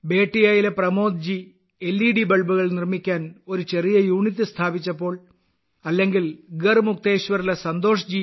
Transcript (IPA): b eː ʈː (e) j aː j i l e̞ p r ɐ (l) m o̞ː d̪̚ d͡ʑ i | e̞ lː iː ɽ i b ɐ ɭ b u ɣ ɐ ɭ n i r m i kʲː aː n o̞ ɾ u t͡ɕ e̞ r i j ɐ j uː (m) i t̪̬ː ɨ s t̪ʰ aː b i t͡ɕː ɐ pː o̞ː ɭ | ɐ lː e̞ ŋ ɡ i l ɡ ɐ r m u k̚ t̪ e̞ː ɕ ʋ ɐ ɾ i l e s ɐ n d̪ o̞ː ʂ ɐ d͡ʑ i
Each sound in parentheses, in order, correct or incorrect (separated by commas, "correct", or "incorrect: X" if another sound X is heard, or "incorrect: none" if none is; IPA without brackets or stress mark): incorrect: i, incorrect: none, incorrect: ɳ